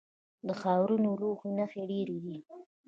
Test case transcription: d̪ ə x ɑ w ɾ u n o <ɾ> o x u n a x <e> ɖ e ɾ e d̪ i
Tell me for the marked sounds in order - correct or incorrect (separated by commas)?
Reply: incorrect, correct